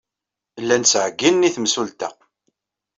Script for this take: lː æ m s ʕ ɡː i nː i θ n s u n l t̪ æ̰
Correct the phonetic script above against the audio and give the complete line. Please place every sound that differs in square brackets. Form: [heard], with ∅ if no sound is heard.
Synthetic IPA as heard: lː æ [n] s ʕ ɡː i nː i θ [m] s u [∅] l t̪ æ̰